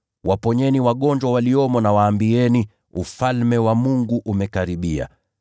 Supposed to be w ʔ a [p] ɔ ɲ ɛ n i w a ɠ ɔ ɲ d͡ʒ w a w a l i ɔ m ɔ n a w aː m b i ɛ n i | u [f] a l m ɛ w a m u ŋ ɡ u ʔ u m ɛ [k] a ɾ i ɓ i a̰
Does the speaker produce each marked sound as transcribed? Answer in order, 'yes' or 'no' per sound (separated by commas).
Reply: yes, yes, yes